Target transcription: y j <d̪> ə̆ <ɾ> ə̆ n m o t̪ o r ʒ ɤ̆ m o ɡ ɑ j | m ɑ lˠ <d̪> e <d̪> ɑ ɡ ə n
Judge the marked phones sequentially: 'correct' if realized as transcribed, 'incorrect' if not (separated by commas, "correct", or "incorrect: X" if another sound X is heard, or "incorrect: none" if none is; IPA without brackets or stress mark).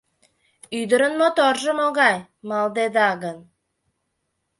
correct, correct, correct, correct